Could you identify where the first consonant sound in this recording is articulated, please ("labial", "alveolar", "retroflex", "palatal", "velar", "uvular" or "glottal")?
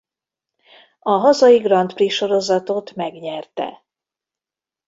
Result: glottal